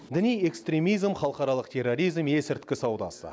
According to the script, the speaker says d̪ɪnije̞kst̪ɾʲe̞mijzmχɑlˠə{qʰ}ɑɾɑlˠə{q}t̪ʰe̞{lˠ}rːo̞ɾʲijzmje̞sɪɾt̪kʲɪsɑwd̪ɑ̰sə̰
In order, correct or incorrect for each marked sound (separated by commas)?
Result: incorrect, correct, incorrect